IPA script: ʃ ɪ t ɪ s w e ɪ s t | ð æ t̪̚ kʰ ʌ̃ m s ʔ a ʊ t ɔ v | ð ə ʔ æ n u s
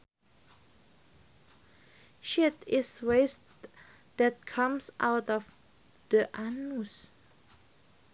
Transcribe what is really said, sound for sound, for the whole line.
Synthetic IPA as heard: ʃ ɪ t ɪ s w e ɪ s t | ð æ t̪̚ kʰ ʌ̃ m s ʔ a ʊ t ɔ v | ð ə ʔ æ n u s